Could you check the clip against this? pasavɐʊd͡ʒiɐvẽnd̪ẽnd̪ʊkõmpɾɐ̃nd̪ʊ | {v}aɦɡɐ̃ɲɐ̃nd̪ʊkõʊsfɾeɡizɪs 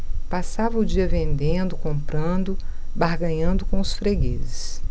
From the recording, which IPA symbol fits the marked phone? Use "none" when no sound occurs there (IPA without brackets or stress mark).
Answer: b